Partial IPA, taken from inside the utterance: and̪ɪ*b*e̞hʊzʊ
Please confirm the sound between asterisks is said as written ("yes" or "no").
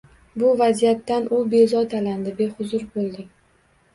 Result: yes